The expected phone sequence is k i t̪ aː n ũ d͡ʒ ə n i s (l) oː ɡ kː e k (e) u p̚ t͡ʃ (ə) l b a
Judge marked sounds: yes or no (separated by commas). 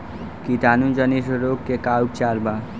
no, no, no